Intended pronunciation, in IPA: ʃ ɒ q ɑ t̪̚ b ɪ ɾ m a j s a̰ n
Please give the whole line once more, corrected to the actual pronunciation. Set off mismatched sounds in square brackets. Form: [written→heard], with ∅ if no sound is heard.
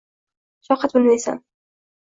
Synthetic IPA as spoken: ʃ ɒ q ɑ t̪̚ b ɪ [ɾ→l] m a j s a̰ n